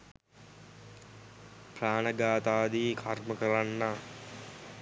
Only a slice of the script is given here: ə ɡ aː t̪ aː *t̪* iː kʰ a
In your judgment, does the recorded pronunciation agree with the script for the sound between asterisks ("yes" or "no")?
no